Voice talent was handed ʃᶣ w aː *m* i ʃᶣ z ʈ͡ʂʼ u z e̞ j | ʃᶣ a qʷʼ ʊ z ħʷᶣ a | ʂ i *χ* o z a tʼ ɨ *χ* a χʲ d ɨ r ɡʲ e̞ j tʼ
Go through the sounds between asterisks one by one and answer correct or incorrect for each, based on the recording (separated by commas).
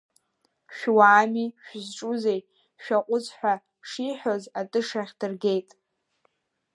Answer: correct, incorrect, incorrect